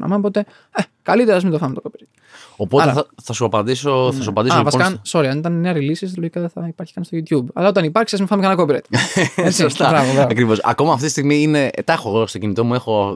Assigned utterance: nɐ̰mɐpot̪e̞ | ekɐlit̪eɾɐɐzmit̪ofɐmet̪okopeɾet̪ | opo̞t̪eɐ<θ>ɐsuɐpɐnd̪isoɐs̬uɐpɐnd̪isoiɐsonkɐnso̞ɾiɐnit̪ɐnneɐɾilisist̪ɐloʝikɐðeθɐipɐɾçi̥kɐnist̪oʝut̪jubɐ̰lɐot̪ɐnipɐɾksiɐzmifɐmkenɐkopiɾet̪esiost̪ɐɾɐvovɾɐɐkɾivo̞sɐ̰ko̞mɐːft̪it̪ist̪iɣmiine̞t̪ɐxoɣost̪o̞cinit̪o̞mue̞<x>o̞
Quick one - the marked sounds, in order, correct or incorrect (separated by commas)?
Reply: correct, correct